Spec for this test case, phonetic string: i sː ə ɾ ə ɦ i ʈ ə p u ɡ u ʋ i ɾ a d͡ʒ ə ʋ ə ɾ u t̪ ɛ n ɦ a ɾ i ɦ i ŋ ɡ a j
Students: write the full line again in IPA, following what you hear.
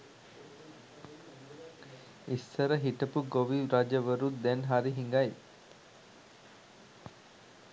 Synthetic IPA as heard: i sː ə ɾ ə ɦ i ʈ ə p u ɡ o ʋ i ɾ a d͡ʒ ə ʋ ə ɾ u d̪ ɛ n ɦ a ɾ i ɦ i ŋ ɡ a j